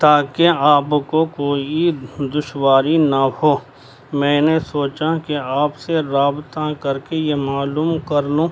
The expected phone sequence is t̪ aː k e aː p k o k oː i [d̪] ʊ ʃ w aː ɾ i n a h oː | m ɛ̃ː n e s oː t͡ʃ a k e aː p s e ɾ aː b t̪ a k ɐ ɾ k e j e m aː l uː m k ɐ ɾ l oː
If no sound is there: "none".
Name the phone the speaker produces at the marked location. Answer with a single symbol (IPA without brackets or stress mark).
d̪